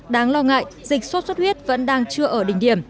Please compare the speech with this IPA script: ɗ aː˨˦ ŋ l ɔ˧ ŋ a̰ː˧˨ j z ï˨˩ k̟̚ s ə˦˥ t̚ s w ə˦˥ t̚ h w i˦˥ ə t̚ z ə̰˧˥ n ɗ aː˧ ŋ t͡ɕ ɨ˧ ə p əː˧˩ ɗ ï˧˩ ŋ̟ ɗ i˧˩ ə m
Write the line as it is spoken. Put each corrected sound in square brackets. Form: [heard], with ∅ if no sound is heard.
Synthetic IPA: ɗ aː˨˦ ŋ l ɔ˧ ŋ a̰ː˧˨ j z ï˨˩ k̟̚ s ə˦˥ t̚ s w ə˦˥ t̚ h w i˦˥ ə t̚ [v] ə̰˧˥ n ɗ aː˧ ŋ t͡ɕ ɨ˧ ə [ʔ] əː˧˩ ɗ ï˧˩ ŋ̟ ɗ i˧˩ ə m